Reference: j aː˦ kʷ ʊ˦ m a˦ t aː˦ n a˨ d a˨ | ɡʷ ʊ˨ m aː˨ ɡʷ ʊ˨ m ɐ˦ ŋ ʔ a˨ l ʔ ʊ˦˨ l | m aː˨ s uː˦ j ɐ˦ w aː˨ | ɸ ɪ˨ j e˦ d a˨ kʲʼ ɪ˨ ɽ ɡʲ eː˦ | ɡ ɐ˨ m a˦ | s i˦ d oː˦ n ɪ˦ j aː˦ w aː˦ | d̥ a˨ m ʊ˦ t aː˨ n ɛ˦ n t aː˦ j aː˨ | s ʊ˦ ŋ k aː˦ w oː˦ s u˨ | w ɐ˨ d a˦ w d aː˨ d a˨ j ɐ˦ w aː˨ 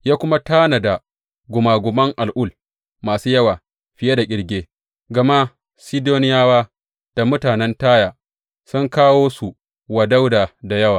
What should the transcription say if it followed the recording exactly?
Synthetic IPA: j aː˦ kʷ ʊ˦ m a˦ t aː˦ n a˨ d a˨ | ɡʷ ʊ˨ m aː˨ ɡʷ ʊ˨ m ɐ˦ ŋ ʔ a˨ l ʔ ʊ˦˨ l | m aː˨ s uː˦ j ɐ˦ w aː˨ | ɸ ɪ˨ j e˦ d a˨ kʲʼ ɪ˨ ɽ ɡʲ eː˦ | ɡ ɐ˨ m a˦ | s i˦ d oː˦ n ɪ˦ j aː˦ w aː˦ | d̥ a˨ m ʊ˦ t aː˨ n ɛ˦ n t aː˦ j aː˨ | s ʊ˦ ŋ k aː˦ w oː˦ s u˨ | w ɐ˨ d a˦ w d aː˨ d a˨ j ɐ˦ w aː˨